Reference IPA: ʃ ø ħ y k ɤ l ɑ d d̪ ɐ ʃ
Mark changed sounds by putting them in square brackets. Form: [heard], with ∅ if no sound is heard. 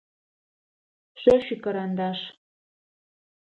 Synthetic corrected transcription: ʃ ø [ʃ] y k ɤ [ɾ] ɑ [n] d̪ [ɑ] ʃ